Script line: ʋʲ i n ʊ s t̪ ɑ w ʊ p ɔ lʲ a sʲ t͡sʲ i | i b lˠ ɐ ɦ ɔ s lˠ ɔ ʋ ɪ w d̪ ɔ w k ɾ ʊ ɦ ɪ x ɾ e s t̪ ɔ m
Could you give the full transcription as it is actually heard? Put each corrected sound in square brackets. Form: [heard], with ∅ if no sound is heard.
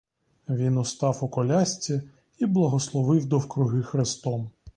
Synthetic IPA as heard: ʋʲ i n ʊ s t̪ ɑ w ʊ [k] ɔ lʲ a sʲ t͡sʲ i | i b lˠ ɐ ɦ ɔ s lˠ ɔ ʋ ɪ w d̪ ɔ w k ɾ ʊ ɦ ɪ x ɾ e s t̪ ɔ m